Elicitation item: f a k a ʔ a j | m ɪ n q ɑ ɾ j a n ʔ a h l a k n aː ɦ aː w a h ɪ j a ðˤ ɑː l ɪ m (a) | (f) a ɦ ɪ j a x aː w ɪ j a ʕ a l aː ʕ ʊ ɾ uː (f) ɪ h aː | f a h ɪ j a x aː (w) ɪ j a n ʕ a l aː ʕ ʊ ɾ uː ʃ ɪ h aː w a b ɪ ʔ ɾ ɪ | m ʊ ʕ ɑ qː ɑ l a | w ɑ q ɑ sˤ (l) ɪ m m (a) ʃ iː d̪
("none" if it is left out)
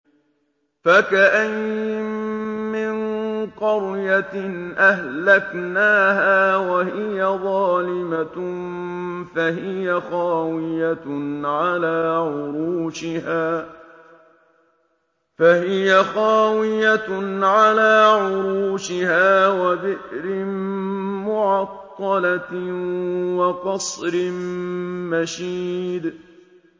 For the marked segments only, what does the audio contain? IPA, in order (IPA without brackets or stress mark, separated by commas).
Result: a, f, ʃ, w, ɾ, a